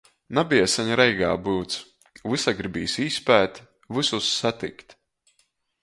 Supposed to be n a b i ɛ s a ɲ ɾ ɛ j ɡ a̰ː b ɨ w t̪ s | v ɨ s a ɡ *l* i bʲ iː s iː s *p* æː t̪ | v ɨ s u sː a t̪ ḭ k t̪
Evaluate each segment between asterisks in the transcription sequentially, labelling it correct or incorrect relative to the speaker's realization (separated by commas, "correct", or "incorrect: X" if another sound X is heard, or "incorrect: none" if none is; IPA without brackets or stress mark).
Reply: incorrect: ɾ, correct